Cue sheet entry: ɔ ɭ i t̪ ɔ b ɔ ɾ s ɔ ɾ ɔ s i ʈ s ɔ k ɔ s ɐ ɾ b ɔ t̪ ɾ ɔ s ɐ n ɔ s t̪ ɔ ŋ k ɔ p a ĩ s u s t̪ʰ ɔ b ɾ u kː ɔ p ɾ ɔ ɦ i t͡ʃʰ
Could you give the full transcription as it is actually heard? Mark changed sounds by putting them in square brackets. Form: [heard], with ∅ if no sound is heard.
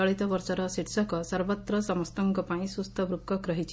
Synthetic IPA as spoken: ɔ ɭ i t̪ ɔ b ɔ ɾ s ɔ ɾ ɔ s i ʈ s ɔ k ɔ s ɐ ɾ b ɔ t̪ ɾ ɔ s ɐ [m] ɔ s t̪ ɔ ŋ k ɔ p a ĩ s u s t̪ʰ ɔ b ɾ u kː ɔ [k] ɾ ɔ ɦ i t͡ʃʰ